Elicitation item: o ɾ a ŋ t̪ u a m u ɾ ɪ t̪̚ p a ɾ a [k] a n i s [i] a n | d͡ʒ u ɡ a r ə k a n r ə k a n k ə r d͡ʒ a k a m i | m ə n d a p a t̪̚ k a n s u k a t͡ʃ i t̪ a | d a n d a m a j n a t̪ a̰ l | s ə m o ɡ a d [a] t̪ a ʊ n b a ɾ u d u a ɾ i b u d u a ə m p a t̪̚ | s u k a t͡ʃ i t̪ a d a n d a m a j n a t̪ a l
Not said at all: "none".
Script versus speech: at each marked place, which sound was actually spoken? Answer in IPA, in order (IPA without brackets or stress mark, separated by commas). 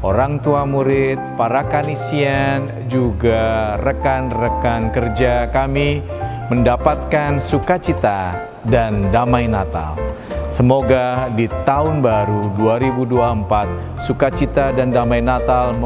k, i, i